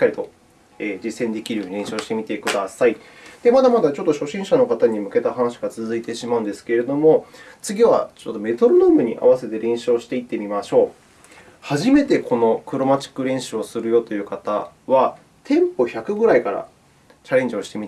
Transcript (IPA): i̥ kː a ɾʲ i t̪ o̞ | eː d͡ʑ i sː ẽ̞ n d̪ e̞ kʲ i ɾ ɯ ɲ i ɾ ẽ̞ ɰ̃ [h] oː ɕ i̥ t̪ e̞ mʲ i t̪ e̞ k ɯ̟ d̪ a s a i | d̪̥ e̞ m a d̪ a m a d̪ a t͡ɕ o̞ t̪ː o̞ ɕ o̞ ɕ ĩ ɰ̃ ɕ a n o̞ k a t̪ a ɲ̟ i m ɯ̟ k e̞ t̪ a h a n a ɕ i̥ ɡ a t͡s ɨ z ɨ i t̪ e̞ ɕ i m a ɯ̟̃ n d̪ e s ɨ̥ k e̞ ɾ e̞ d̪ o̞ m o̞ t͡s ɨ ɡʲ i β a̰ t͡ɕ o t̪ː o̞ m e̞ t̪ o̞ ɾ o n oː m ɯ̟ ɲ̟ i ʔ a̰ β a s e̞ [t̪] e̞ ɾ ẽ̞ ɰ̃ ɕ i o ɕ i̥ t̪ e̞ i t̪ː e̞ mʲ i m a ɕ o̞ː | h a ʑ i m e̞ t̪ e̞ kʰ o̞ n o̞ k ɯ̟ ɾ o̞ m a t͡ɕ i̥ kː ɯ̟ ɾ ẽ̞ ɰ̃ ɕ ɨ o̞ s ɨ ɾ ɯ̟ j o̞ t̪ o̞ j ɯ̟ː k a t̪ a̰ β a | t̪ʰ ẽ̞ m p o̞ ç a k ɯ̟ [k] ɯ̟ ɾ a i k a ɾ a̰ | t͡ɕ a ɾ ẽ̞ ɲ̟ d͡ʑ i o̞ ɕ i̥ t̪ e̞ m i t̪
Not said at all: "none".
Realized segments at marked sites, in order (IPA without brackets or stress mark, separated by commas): ɕ, t̪, ɡ